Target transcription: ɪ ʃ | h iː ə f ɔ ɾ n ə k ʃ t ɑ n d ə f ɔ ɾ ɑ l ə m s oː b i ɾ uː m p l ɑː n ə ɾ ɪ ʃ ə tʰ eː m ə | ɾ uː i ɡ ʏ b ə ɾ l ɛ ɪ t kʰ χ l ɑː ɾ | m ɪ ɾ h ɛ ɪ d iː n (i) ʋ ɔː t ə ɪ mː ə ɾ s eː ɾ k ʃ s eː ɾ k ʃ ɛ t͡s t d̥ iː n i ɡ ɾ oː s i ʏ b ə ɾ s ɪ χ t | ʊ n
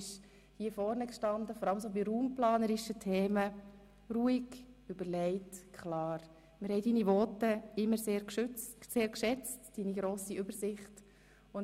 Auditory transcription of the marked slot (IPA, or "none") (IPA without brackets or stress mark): i